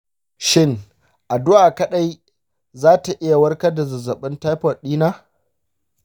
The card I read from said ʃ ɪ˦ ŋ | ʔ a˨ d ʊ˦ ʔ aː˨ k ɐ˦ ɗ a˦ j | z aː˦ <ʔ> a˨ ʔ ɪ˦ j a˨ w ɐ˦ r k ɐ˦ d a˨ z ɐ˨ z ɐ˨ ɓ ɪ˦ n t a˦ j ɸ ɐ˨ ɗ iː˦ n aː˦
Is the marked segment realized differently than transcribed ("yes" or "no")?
yes